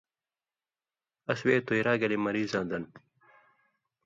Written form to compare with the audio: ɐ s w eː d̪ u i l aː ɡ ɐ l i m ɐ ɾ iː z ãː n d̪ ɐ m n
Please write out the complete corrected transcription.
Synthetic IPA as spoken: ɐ s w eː t̪ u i ɾ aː ɡ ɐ l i m ɐ ɾ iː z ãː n d̪ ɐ n